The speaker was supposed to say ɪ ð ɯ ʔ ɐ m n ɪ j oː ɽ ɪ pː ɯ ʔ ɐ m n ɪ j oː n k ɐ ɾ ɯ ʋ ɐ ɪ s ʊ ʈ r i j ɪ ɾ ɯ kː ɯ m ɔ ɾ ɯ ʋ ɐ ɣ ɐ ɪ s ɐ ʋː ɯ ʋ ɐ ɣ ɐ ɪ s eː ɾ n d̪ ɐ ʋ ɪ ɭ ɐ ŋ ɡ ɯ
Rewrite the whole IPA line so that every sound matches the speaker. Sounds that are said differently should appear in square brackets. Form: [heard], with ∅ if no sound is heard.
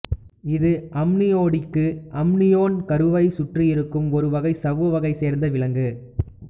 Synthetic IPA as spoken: ɪ ð ɯ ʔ ɐ m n ɪ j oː ɽ ɪ [kː] ɯ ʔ ɐ m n ɪ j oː n k ɐ ɾ ɯ ʋ ɐ ɪ s ʊ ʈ r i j ɪ ɾ ɯ kː ɯ m ɔ ɾ ɯ ʋ ɐ ɣ ɐ ɪ s ɐ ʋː ɯ ʋ ɐ ɣ ɐ ɪ s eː ɾ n d̪ ɐ ʋ ɪ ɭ ɐ ŋ ɡ ɯ